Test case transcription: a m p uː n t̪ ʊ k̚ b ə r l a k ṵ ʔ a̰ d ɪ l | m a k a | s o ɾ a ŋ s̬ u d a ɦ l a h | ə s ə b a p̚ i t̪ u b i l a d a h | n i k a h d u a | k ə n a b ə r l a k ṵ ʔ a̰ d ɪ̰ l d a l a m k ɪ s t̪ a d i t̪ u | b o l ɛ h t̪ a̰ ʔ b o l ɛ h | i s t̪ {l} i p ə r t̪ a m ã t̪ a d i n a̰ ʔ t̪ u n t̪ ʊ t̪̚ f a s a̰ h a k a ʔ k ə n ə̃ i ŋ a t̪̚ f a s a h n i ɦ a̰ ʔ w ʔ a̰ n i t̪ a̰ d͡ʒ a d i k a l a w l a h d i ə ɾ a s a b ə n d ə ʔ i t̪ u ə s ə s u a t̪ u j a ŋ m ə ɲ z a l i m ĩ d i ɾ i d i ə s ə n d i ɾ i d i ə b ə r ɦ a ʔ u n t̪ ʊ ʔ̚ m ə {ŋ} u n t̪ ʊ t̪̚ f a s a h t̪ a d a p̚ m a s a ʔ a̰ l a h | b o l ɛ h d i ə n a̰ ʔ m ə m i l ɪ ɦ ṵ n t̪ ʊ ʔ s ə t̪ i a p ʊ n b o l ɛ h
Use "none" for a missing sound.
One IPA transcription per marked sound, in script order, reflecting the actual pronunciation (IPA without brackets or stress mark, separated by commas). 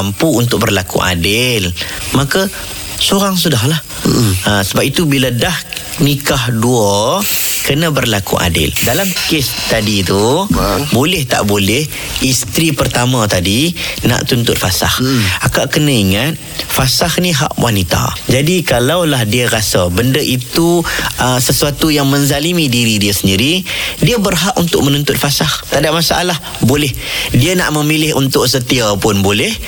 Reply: ɾ, n